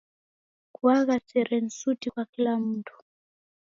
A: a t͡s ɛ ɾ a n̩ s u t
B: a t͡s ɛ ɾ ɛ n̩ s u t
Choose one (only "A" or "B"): B